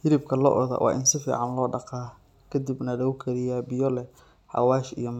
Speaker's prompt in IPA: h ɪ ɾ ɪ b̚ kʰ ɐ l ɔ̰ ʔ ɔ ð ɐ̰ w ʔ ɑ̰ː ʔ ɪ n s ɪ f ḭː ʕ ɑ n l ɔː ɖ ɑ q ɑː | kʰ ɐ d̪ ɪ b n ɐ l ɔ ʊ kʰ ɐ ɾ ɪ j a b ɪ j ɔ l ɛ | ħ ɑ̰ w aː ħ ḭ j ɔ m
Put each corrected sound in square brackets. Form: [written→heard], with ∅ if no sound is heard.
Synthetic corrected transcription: h ɪ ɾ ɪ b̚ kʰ ɐ l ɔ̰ ʔ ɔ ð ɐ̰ w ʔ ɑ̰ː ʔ ɪ n s ɪ f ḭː ʕ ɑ n l ɔː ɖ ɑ q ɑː | kʰ ɐ d̪ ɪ b n ɐ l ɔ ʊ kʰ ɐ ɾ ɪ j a b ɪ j ɔ l ɛ | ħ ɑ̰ w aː [ħ→ʃ] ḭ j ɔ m